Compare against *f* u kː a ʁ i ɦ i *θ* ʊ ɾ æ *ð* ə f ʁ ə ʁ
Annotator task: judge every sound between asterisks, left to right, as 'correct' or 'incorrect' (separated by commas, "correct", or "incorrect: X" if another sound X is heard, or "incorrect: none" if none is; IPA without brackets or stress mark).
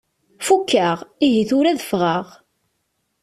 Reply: correct, correct, correct